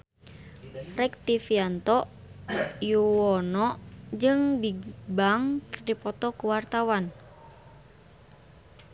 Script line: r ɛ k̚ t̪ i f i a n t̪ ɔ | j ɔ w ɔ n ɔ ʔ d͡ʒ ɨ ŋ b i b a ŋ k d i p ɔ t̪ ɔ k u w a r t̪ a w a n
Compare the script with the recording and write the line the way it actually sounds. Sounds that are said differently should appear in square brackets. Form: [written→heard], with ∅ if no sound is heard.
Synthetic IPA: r ɛ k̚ t̪ i f i a n t̪ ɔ | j [ɔ→u] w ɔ n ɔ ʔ d͡ʒ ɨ ŋ b i b a ŋ k d i p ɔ t̪ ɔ k u w a r t̪ a w a n